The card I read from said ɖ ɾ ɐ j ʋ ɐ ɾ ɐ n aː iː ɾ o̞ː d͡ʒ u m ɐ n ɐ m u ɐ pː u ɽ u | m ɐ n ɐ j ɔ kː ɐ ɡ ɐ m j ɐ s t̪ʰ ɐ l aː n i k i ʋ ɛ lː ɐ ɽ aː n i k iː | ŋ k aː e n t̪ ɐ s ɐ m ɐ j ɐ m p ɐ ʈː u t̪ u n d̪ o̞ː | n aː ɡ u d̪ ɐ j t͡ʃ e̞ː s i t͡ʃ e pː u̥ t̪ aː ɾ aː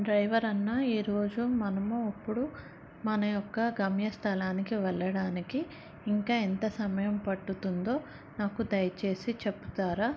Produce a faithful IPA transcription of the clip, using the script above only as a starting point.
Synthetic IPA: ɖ ɾ ɐ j ʋ ɐ ɾ ɐ nː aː iː ɾ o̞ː d͡ʒ u m ɐ n ɐ m u ɐ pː u ɽ u | m ɐ n ɐ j ɔ kː ɐ ɡ ɐ m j ɐ s t̪ʰ ɐ l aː n i k i ʋ ɛ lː ɐ ɽ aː n i k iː | ŋ k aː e n t̪ ɐ s ɐ m ɐ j ɐ m p ɐ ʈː u t̪ u n d̪ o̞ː | n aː k u d̪ ɐ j t͡ʃ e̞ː s i t͡ʃ e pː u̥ t̪ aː ɾ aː